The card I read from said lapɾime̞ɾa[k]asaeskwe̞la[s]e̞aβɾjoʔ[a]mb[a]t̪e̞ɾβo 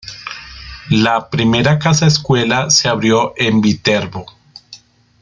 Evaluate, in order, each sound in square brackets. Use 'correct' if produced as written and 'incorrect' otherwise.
correct, correct, incorrect: e, incorrect: i

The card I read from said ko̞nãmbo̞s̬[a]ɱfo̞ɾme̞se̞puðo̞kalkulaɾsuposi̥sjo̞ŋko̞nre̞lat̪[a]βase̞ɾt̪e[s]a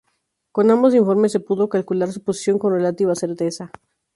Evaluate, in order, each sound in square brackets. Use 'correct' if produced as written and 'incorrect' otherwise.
incorrect: i, incorrect: i, correct

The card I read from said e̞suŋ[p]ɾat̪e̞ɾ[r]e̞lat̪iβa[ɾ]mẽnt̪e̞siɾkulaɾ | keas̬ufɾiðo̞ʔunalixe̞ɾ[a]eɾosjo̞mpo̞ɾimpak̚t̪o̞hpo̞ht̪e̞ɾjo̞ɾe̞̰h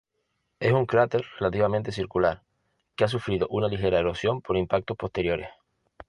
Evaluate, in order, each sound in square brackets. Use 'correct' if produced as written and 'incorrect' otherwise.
incorrect: k, correct, incorrect: none, correct

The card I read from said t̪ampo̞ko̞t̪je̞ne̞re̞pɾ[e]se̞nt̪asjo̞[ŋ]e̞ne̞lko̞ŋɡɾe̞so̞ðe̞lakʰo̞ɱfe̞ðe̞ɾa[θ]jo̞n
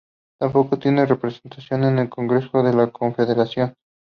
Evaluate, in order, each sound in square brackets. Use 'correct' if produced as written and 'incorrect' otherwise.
correct, incorrect: n, incorrect: s

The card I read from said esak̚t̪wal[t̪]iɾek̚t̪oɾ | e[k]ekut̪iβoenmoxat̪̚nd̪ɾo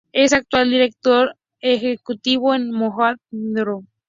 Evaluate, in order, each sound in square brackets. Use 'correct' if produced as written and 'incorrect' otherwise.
incorrect: d̪, incorrect: x

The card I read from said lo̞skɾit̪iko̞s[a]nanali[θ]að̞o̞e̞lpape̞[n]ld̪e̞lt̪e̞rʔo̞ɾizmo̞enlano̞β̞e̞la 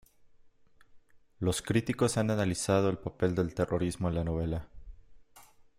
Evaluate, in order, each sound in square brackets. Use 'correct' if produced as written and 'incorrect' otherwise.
correct, incorrect: s, incorrect: none

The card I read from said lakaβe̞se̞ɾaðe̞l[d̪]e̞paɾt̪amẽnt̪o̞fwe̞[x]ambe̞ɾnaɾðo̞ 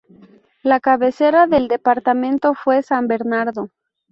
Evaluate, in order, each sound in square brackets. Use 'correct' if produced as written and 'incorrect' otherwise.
correct, incorrect: s

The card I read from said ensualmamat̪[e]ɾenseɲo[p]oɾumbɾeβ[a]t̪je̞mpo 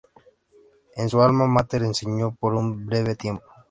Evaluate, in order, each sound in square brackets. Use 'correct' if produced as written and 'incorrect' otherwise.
correct, correct, incorrect: e

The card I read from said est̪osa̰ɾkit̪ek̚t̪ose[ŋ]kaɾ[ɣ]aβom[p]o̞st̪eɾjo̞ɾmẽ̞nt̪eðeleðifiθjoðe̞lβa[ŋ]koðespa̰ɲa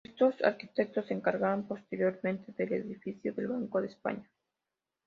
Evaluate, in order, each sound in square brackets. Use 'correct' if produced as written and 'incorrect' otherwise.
correct, correct, correct, correct

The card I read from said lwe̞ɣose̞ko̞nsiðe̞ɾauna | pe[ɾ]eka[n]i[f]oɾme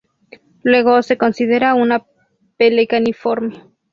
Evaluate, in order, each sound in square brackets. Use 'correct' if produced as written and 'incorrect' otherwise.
incorrect: l, correct, correct

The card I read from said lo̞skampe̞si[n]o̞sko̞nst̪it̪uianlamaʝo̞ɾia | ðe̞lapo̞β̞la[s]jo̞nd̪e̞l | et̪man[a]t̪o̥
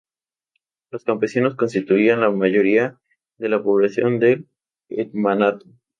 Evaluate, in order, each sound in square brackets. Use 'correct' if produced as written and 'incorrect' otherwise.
correct, correct, correct

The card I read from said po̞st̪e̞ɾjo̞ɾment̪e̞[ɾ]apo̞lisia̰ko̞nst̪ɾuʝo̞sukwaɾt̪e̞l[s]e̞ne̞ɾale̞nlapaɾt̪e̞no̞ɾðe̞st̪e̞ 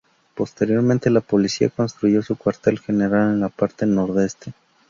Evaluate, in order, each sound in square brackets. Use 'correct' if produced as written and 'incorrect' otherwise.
incorrect: l, incorrect: x

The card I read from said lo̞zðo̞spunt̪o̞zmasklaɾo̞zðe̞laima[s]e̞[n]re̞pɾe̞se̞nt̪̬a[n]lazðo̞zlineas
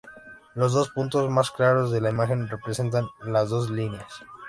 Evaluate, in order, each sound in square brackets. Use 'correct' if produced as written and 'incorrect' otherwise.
incorrect: x, correct, correct

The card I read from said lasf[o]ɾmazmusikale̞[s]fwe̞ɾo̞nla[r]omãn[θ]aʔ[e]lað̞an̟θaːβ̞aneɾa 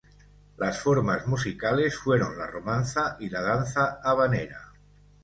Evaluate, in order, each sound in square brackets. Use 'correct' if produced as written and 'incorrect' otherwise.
correct, correct, correct, correct, incorrect: i

